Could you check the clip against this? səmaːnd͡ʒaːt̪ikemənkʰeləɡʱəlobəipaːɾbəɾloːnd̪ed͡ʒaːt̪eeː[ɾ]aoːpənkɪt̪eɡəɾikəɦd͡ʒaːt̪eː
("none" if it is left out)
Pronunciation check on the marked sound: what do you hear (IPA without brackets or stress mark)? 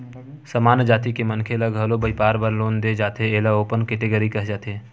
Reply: l